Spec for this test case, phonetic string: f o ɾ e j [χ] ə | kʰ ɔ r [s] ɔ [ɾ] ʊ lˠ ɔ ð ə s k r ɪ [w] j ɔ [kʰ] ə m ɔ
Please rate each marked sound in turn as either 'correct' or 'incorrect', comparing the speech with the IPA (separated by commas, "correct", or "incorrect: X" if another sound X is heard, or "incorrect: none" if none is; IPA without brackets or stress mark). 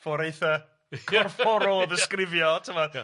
incorrect: θ, incorrect: f, correct, incorrect: v, incorrect: tʰ